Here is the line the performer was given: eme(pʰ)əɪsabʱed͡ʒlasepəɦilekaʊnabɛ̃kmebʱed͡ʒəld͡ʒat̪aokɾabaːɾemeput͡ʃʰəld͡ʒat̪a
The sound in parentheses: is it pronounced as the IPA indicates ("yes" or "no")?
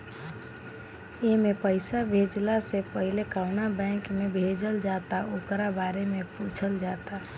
no